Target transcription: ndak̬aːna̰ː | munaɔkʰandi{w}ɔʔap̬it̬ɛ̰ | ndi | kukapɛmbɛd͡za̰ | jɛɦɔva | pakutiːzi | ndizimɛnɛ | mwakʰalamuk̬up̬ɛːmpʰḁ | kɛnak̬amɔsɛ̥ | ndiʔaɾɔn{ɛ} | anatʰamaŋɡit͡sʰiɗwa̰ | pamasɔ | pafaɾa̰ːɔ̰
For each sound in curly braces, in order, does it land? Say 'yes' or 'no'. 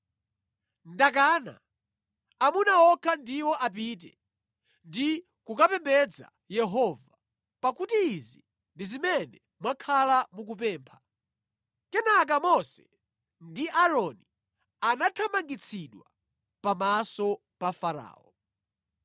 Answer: yes, no

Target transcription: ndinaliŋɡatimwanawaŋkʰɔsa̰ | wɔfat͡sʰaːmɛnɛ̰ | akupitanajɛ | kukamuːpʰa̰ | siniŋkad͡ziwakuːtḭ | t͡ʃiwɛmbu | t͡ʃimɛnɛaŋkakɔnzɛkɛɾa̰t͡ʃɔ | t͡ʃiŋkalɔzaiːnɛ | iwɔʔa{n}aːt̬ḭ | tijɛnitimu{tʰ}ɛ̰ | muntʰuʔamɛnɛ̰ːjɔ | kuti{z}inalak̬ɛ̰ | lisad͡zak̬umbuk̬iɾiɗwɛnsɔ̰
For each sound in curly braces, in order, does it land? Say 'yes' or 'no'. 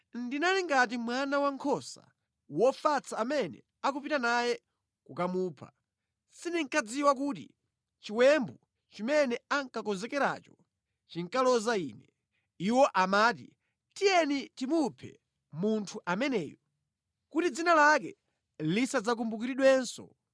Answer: no, no, no

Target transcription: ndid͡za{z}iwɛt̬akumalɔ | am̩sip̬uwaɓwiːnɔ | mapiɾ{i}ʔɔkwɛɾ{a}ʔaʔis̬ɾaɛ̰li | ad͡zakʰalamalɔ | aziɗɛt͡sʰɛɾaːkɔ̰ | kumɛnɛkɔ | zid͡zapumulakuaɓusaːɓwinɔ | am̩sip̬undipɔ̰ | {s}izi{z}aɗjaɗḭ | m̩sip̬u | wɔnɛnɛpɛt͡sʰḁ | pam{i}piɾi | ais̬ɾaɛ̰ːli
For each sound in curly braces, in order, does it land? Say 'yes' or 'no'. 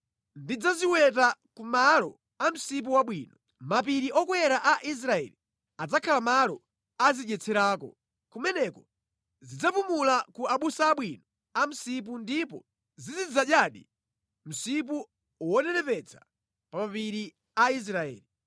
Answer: yes, yes, yes, no, no, no

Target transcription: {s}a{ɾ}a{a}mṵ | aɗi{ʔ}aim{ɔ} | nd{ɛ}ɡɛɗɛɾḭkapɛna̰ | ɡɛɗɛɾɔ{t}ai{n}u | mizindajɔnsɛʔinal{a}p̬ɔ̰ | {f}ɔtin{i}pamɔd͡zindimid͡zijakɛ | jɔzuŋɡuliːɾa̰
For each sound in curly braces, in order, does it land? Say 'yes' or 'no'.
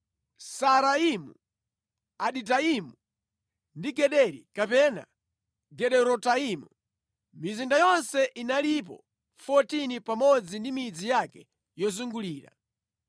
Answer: yes, yes, no, no, no, no, yes, no, no, yes, yes

